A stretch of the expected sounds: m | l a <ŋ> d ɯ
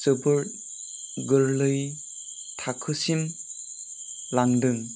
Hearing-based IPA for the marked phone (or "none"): ŋ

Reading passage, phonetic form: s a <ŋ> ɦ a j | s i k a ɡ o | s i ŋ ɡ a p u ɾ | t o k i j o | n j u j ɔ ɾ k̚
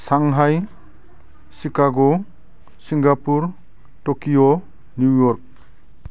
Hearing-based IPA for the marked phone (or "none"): ŋ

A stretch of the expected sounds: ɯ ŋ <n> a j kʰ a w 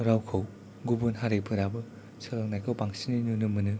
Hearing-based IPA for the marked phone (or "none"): n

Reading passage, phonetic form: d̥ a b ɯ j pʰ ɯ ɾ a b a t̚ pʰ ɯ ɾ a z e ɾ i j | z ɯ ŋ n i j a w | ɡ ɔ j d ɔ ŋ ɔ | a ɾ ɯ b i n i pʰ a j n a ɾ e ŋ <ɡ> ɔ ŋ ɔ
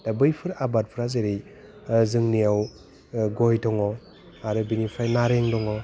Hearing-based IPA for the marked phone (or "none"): d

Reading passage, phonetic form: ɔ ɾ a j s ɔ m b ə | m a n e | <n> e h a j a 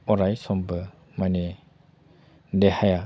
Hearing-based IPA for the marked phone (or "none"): d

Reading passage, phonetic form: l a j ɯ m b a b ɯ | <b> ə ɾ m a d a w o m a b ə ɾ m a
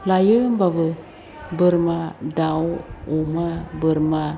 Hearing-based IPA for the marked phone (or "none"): b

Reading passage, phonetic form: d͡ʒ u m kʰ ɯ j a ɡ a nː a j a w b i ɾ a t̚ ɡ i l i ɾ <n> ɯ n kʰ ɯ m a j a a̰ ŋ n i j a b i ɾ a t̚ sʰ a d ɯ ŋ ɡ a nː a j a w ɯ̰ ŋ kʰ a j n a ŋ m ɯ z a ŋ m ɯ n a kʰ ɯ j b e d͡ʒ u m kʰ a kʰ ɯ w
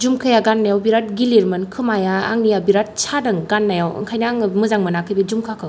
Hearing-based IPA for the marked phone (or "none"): m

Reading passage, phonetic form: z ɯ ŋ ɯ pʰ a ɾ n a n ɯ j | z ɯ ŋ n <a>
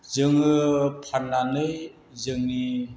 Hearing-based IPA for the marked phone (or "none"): i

